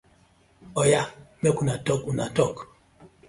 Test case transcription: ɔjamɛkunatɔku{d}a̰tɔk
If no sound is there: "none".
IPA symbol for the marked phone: n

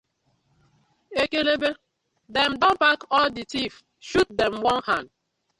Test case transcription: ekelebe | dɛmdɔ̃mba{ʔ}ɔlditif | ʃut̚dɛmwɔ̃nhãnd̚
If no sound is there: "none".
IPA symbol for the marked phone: k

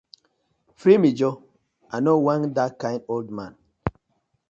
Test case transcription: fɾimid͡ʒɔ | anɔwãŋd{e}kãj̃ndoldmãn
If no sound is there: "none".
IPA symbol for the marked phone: a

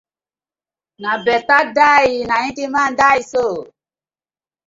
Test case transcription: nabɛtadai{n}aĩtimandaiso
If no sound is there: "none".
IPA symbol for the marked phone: n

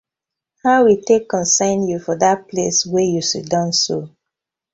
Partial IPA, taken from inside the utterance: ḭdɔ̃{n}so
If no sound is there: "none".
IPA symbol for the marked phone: n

